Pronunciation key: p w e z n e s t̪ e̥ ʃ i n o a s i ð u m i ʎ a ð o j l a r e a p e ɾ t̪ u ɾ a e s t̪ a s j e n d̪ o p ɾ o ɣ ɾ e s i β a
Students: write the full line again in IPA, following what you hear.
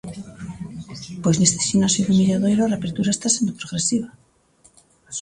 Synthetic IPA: p w e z n e s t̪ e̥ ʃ i n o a s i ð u m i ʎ a ð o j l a r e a p e ɾ t̪ u ɾ a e s t̪ a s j e n d̪ o p ɾ o ɣ ɾ e s i β a